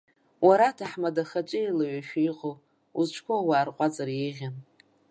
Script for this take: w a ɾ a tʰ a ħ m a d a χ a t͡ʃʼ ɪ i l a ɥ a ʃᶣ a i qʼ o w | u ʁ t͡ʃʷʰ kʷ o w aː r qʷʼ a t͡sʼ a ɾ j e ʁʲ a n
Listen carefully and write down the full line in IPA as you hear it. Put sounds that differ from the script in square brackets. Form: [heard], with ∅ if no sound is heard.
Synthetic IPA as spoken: w a ɾ a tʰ a ħ m a d a χ a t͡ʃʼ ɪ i l a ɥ a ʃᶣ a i qʼ o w | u [z] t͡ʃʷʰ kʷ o w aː r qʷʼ a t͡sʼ a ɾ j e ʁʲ a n

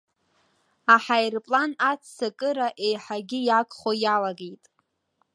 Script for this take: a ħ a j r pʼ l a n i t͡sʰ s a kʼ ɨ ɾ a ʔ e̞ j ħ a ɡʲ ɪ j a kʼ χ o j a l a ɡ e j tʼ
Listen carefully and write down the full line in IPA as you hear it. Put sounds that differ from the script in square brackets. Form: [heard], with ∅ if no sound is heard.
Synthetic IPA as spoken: a ħ a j r pʼ l a n [a] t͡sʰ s a kʼ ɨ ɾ a ʔ e̞ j ħ a ɡʲ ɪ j a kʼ χ o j a l a ɡ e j tʼ

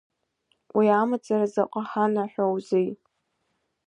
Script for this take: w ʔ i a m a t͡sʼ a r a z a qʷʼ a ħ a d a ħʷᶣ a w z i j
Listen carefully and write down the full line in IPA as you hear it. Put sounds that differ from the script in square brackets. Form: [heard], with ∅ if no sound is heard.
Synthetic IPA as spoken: w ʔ i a m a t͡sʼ a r a z a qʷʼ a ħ a [n] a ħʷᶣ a w z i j

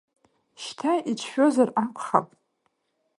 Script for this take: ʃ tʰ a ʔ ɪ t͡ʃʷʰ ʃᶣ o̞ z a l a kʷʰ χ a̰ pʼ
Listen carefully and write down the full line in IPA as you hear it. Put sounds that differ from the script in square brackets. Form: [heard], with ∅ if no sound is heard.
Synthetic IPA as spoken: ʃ tʰ a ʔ [i] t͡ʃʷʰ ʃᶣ o̞ z a [r] a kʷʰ χ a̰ pʼ

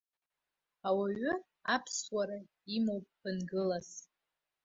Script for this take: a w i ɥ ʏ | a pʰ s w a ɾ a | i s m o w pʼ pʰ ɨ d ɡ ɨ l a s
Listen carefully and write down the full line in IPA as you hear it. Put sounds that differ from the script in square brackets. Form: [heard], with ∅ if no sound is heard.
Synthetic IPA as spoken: a w [a] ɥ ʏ | a pʰ s w a ɾ a | i [∅] m o w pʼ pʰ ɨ [n] ɡ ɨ l a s

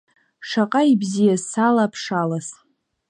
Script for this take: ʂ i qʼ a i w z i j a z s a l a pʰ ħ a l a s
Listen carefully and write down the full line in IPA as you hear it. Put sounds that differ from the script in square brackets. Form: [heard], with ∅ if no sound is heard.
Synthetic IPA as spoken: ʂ [a] qʼ a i [b] z i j a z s a l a pʰ [ʂ] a l a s

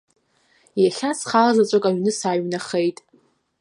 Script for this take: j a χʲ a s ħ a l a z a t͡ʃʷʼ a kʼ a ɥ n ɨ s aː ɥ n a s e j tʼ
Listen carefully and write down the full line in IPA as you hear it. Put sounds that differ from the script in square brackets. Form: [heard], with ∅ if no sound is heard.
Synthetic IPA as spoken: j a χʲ a s [χ] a l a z a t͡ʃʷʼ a kʼ a ɥ n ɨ s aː ɥ n a [χ] e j tʼ

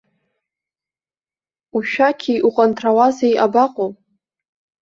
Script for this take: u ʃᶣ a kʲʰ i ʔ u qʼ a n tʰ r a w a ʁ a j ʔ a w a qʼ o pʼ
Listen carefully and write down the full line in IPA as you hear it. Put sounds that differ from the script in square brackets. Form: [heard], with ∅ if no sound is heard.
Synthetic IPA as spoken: u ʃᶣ a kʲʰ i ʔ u qʼ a n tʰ r a w a [z] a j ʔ a [b] a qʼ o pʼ

